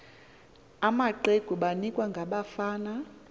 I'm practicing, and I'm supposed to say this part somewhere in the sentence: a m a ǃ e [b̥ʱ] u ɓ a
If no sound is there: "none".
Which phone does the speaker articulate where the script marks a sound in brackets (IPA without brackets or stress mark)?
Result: ɡ̥ʱ